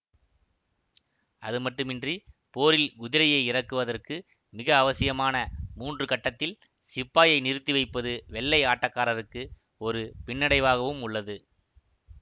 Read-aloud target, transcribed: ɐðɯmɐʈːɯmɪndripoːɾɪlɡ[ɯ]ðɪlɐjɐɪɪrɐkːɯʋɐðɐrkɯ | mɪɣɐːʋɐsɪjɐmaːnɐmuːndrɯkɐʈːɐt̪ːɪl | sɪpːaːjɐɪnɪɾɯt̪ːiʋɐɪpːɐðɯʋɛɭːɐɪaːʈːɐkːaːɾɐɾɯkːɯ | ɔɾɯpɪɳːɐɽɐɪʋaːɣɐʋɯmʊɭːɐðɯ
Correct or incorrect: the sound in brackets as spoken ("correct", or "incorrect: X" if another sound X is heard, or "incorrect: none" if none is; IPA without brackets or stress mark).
incorrect: ʊ